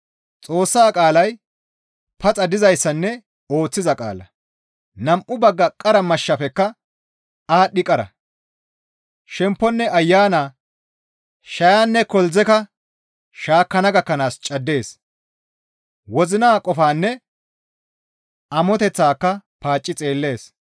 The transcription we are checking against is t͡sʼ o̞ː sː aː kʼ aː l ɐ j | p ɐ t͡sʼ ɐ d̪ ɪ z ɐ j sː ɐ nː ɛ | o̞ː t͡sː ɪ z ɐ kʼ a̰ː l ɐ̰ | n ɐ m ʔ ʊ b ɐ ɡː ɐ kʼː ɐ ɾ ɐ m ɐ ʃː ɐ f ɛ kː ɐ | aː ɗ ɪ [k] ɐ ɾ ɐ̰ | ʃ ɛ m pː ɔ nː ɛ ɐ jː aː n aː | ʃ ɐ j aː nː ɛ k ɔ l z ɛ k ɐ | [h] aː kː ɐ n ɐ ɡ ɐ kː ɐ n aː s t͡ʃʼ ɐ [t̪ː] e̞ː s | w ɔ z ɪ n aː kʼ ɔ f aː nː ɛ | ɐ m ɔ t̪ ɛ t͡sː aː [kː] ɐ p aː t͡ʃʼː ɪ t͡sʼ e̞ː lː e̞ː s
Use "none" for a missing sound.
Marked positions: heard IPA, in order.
kʼ, ʃ, d̪ː, kː

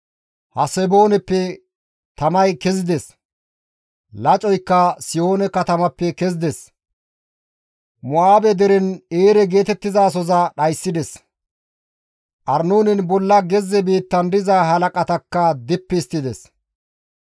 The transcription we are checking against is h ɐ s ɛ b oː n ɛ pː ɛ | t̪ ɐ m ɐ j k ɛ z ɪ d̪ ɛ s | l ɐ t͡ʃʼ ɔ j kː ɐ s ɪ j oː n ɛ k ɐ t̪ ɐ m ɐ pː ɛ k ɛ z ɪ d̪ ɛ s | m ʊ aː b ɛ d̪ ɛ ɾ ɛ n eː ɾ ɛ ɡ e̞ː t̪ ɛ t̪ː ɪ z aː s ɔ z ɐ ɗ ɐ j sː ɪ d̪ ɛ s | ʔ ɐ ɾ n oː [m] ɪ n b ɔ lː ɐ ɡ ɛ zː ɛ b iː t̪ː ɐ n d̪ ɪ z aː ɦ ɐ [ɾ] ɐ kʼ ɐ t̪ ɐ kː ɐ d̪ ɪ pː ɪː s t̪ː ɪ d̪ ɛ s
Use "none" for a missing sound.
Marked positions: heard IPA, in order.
n, l

